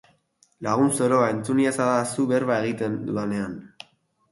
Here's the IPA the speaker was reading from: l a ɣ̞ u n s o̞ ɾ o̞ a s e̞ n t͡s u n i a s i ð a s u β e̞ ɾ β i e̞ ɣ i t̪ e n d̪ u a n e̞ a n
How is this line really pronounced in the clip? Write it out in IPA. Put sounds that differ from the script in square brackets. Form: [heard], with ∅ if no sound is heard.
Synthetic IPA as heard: l a ɣ̞ u n s o̞ ɾ o̞ a [∅] e̞ n t͡s u n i a s [a] ð a s u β e̞ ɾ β [a] e̞ ɣ i t̪ e n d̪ u a n e̞ a n